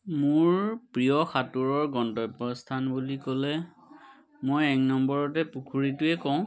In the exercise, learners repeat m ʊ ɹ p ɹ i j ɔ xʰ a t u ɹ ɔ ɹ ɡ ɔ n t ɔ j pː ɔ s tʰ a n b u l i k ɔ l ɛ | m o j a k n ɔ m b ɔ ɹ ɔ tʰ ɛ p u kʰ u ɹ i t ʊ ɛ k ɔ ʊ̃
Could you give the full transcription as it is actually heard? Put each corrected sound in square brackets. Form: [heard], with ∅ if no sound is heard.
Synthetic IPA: m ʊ ɹ p ɹ i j ɔ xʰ a t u ɹ ɔ ɹ ɡ ɔ n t ɔ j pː ɔ s tʰ a n b u l i k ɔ l ɛ | m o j [ɛ] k n ɔ m b ɔ ɹ ɔ [t] ɛ p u kʰ u ɹ i t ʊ ɛ k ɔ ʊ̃